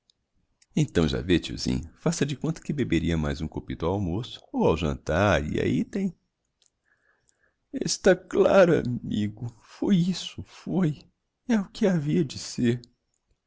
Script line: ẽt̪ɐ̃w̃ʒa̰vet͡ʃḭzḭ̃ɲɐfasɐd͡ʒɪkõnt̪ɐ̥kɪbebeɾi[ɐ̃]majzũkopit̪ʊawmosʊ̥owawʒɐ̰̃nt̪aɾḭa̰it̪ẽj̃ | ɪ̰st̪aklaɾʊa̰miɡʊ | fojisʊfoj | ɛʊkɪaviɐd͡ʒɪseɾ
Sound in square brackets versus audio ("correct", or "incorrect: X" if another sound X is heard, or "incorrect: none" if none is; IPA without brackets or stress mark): incorrect: ɐ